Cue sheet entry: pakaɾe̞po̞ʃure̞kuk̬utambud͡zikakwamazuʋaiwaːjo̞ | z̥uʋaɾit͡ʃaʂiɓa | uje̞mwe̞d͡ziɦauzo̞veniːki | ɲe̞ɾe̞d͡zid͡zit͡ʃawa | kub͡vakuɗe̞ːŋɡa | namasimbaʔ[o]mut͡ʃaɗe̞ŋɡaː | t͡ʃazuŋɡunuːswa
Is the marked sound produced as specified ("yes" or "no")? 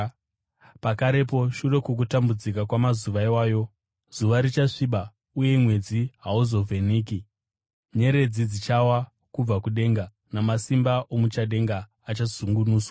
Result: yes